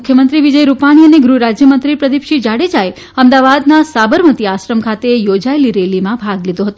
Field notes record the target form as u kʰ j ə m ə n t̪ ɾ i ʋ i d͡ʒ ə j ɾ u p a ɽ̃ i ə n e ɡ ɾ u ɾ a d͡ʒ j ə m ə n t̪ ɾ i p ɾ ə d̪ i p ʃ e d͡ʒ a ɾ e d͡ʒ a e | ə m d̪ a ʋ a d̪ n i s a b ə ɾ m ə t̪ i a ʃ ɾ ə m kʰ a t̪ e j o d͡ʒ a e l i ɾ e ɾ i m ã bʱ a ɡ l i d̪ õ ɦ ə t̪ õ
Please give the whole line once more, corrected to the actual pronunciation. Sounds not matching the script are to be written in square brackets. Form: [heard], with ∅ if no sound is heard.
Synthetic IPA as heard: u kʰ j ə m ə n t̪ ɾ i ʋ i d͡ʒ ə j ɾ u p a ɽ̃ i ə n e ɡ ɾ u ɾ a d͡ʒ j ə m ə n t̪ ɾ i p ɾ ə d̪ i p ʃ [i] d͡ʒ a [ɽ] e d͡ʒ a e | ə m d̪ a ʋ a d̪ n [a] s a b ə ɾ m ə t̪ i a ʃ ɾ ə m kʰ a t̪ e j o d͡ʒ a e l i ɾ e [l] i m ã bʱ a ɡ l i d̪ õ ɦ ə t̪ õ